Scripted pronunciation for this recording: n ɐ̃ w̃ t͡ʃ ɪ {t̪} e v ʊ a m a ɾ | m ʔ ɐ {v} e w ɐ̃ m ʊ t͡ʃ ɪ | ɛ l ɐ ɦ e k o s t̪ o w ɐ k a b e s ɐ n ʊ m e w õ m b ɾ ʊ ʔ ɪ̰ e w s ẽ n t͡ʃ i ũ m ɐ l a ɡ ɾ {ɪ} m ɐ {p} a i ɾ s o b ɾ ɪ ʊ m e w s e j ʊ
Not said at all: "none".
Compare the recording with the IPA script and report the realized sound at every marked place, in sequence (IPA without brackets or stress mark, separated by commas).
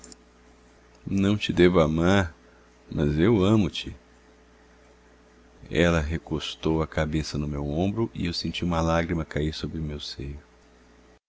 d̪, z, i, k